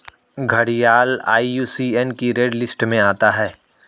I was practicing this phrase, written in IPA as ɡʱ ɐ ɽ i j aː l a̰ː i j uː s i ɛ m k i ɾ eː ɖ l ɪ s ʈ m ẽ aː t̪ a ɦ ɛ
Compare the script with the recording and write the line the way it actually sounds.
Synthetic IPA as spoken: ɡʱ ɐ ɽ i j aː l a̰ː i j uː s i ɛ n k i ɾ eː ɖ l ɪ s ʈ m ẽ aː t̪ a ɦ ɛː